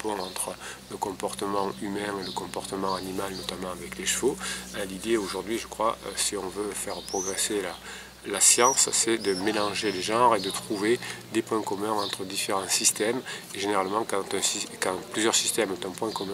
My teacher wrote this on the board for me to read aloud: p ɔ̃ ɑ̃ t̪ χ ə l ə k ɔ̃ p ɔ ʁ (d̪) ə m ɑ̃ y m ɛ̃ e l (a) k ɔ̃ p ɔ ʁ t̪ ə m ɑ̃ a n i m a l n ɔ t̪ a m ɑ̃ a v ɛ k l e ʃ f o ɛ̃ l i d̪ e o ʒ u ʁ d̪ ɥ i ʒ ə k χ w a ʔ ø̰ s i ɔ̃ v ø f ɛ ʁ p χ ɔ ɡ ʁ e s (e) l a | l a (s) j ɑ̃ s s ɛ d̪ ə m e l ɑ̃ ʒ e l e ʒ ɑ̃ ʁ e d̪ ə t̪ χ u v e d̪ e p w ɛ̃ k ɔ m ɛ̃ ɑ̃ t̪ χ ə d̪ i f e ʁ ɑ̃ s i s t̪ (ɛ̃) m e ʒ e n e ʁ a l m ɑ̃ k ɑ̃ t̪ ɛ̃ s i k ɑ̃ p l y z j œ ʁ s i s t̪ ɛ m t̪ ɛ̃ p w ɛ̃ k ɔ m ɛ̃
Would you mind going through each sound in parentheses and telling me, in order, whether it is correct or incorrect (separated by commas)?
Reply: incorrect, incorrect, correct, correct, incorrect